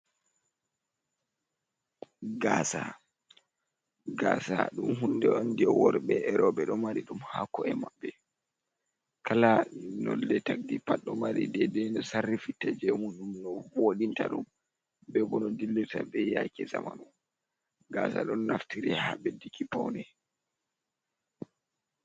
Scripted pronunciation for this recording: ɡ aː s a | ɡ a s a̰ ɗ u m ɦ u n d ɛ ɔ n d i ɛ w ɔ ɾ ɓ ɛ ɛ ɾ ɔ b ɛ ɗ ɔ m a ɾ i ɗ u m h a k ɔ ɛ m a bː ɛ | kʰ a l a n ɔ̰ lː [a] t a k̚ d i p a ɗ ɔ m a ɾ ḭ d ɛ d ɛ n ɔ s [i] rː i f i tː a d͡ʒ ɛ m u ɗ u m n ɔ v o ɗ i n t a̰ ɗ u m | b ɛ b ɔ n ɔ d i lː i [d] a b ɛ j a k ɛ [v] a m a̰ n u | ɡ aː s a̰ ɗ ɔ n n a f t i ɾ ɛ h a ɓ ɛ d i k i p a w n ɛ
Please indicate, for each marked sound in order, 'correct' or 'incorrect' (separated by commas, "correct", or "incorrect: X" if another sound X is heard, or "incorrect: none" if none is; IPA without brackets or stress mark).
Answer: incorrect: ɛ, incorrect: a, incorrect: t, incorrect: z